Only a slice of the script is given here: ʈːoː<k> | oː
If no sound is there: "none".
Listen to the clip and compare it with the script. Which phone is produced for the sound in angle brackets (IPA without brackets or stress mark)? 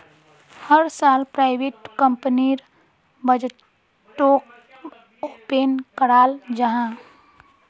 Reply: k